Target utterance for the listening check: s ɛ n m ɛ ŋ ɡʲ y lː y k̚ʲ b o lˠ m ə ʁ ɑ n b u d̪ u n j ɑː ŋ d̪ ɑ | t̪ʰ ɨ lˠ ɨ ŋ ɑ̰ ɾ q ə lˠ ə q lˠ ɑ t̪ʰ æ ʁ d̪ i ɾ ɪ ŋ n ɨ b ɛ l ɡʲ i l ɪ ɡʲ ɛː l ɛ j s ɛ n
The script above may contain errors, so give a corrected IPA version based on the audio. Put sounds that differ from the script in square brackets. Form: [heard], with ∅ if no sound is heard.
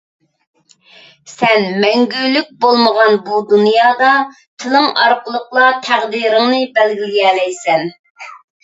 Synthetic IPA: s ɛ n m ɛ ŋ ɡʲ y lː y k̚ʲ b o lˠ m ə ʁ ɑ n b u d̪ u n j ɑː [∅] d̪ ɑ | t̪ʰ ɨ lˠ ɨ ŋ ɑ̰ ɾ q ə lˠ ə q lˠ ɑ t̪ʰ æ ʁ d̪ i ɾ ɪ ŋ n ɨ b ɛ l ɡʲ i l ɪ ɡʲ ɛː l ɛ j s ɛ n